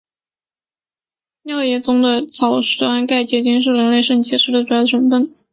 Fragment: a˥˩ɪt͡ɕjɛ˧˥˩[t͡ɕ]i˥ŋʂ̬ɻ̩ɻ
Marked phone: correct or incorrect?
correct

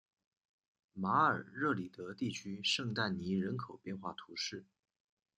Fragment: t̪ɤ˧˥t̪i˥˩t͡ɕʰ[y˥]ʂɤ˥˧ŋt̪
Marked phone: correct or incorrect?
correct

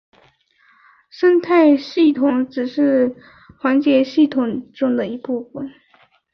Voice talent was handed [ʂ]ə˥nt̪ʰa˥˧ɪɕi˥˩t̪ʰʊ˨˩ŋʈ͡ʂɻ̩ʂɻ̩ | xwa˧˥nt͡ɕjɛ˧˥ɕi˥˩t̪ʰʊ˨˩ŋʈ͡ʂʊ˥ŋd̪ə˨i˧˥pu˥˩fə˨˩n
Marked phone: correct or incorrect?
correct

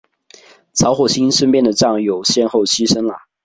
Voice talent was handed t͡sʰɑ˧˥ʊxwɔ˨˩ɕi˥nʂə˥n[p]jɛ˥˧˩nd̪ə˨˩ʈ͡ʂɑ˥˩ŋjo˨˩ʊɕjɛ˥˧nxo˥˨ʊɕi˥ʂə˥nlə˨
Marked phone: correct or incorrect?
correct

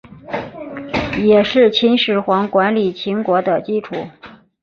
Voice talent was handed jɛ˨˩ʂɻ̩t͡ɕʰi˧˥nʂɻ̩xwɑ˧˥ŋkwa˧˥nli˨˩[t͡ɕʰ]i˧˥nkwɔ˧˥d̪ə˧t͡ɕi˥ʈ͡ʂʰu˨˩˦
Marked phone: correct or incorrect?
correct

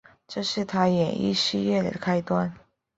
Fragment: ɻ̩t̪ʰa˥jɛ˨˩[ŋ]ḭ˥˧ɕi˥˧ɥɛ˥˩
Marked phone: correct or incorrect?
incorrect: n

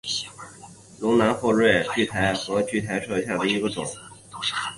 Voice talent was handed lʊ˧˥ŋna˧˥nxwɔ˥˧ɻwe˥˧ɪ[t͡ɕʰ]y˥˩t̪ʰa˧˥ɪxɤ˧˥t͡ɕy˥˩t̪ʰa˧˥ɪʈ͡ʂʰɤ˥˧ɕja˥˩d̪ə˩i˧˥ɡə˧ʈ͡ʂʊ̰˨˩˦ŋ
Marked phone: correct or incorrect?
incorrect: t͡ɕ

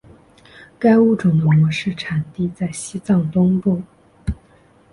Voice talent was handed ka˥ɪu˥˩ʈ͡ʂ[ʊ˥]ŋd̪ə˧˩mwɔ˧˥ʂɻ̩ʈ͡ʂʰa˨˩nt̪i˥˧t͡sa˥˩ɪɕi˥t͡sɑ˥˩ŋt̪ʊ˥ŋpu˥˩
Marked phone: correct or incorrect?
incorrect: ʊ˨˩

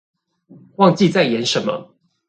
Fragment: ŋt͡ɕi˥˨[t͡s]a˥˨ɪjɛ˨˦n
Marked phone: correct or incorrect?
correct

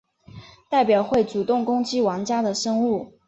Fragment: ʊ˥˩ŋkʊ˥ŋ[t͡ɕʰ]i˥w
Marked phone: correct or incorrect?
incorrect: t͡ɕ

